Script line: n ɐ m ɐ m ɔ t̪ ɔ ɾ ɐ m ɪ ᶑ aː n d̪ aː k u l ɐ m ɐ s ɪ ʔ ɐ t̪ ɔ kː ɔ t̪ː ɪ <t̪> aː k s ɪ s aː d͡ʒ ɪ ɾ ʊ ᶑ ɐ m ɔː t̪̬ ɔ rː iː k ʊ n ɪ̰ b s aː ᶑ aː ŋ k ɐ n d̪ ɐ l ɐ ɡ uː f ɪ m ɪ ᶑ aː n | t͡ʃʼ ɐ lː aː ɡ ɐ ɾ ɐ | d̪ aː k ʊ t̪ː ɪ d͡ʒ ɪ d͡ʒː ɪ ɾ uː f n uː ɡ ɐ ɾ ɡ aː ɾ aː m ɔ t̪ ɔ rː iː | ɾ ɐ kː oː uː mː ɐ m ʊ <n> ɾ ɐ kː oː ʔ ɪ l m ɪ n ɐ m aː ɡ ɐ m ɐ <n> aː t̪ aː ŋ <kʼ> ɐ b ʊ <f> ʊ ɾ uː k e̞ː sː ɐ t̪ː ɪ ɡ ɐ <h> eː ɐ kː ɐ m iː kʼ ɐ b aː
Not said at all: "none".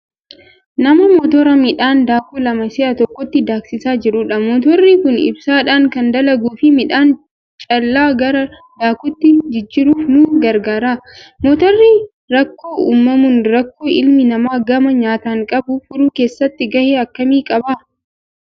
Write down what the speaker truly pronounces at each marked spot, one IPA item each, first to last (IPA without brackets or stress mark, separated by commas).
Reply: d̪, n, ɲ, kʼ, f, h